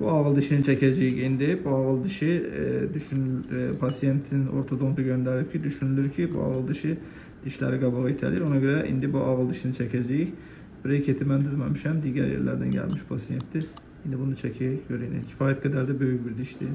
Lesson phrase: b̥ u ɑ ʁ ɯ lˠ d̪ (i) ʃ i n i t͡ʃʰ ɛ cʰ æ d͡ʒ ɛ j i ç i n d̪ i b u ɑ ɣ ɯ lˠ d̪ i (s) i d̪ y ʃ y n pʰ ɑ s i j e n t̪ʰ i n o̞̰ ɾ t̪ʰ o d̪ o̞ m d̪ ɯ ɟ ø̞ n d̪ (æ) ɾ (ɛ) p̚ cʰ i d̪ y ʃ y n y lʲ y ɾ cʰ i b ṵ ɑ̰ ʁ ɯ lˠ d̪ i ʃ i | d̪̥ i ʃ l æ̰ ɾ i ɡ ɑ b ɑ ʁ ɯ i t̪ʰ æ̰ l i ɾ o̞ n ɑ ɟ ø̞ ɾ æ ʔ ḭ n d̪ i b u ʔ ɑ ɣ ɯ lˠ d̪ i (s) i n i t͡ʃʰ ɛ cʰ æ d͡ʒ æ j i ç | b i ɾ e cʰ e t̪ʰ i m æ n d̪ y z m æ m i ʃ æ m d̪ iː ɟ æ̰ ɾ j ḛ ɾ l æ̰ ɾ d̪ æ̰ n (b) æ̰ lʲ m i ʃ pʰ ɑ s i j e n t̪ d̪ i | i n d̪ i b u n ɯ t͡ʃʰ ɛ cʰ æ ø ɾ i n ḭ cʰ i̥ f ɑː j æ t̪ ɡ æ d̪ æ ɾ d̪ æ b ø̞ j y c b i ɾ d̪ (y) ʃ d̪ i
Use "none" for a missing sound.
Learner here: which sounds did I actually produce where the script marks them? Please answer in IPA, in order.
i, ʃ, æ, i, ʃ, ɟ, i

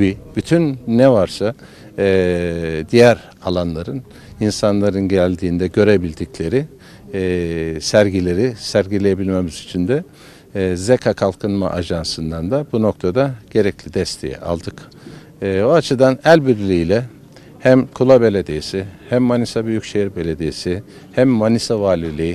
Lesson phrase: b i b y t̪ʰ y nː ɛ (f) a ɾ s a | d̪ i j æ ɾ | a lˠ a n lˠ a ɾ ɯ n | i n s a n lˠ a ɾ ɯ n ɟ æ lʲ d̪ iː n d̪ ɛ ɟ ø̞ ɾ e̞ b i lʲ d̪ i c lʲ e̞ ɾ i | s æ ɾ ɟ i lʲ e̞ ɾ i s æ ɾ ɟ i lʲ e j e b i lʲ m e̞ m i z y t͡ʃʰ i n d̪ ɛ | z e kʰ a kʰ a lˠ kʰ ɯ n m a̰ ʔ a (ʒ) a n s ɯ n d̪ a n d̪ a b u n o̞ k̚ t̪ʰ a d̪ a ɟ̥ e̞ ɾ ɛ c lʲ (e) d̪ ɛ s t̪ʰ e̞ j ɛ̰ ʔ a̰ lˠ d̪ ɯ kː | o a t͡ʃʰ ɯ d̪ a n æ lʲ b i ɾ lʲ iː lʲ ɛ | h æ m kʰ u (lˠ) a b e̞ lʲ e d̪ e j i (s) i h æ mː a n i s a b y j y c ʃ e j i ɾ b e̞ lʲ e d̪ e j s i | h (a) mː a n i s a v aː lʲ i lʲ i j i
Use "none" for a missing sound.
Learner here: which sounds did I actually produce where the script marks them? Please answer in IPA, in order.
v, ʒ, i, lˠ, s, æ

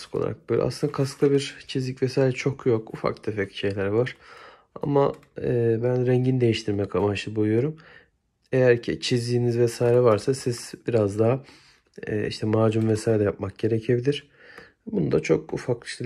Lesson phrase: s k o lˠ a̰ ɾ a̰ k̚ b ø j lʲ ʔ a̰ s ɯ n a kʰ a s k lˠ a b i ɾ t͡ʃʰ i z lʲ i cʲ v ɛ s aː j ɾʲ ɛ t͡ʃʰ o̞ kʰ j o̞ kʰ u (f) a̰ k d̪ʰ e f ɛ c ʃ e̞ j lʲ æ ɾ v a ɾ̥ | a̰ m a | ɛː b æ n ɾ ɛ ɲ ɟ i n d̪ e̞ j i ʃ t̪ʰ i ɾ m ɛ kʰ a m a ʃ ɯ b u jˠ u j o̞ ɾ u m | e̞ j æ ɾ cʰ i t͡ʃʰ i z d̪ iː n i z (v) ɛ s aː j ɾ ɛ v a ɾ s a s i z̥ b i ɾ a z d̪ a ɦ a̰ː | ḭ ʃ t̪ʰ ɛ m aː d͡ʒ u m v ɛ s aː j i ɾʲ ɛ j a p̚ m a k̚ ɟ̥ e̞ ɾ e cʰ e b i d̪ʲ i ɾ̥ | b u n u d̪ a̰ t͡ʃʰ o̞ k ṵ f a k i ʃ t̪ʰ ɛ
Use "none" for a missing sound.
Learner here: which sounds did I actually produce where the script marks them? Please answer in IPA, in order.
f, v

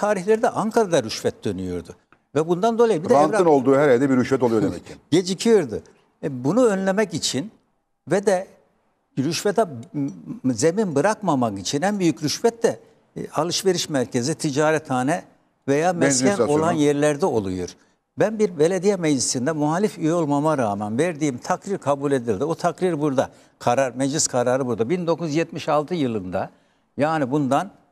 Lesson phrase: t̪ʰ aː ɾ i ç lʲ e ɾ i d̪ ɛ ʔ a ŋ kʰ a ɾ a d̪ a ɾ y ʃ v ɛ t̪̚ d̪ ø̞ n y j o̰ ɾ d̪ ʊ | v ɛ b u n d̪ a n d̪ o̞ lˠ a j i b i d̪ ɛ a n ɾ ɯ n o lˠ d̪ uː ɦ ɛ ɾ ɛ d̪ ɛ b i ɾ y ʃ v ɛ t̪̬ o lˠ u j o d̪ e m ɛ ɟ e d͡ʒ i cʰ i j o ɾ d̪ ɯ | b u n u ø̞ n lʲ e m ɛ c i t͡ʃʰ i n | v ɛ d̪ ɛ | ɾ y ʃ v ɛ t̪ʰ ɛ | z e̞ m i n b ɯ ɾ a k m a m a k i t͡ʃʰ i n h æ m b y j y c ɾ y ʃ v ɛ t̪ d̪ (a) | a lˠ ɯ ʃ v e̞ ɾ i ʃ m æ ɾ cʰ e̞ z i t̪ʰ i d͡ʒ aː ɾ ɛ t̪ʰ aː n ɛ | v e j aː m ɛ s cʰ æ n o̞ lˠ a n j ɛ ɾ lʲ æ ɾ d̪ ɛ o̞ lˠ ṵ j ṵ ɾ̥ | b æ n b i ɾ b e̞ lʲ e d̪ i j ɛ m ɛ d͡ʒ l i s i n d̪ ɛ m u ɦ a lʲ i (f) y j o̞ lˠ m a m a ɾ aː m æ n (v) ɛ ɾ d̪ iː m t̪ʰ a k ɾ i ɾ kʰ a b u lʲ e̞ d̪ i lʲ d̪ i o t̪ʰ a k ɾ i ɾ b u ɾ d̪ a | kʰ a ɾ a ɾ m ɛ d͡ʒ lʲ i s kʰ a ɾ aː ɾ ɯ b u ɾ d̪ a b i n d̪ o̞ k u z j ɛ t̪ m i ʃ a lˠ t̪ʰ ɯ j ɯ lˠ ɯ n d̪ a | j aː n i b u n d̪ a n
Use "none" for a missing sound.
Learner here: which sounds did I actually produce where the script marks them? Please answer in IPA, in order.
ɛ, f, v

